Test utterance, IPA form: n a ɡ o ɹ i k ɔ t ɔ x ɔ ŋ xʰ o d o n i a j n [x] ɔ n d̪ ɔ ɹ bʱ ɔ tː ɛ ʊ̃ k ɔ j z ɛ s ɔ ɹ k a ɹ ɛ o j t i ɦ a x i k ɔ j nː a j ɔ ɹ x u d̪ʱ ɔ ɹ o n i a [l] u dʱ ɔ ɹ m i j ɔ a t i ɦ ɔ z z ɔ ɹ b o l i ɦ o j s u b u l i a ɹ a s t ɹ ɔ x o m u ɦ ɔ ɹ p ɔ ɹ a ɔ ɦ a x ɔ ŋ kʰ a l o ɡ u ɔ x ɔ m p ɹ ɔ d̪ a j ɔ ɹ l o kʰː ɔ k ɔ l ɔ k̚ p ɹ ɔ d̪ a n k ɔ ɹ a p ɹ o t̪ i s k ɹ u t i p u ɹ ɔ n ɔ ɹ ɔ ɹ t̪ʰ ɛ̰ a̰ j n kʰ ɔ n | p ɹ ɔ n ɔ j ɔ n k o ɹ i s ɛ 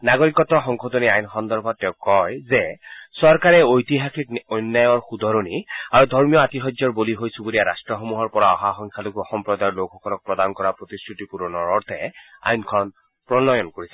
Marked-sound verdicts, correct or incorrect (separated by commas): correct, incorrect